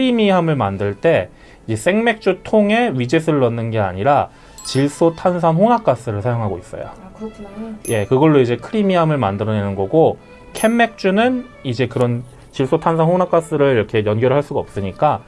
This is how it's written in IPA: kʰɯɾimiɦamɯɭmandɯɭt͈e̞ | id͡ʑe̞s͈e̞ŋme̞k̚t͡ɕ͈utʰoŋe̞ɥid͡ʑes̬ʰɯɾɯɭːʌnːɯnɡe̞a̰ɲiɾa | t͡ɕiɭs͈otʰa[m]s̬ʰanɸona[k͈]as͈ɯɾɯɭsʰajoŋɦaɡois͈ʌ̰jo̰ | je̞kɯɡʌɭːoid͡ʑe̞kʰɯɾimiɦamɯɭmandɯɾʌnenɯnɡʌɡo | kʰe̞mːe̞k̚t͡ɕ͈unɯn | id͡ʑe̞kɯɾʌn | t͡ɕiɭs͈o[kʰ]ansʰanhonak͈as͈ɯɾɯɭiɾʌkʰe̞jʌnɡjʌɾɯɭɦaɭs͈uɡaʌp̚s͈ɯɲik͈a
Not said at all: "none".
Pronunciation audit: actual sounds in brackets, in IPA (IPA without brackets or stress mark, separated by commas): n, k͈, tʰ